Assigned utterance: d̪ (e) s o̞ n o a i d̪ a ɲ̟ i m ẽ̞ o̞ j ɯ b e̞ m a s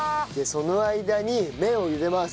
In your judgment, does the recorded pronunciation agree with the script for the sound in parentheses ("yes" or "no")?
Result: yes